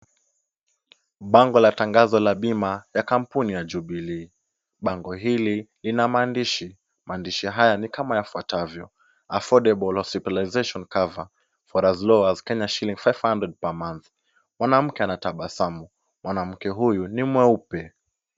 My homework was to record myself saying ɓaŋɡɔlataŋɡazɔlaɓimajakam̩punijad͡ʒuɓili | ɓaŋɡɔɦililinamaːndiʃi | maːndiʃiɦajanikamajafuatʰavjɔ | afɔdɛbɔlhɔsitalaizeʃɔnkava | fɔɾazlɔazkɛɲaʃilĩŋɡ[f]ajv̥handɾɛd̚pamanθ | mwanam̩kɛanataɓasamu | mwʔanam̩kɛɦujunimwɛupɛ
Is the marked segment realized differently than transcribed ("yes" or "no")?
no